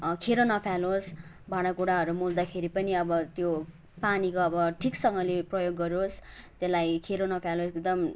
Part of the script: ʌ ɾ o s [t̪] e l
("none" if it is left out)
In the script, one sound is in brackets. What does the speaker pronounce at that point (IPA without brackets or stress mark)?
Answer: t̪